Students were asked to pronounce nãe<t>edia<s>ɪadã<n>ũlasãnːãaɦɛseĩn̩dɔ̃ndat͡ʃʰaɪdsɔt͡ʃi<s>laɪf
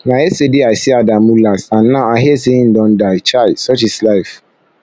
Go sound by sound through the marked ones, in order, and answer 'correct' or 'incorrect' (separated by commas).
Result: incorrect, correct, incorrect, correct